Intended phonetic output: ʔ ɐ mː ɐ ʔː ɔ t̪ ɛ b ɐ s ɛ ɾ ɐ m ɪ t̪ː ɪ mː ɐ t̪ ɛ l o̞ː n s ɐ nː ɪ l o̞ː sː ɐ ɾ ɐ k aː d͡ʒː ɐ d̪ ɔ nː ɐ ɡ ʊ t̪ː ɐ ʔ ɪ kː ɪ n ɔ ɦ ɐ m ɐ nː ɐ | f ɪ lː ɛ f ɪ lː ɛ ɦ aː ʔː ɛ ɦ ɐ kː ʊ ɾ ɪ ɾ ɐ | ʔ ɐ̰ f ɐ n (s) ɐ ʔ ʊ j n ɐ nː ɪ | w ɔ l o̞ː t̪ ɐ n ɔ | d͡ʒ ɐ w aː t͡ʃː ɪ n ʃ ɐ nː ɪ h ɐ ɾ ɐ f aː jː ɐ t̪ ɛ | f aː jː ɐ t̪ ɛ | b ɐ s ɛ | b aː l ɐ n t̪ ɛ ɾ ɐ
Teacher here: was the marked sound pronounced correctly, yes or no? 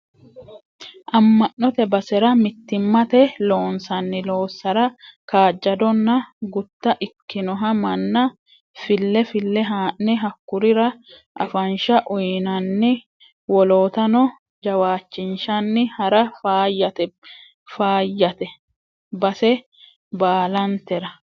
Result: no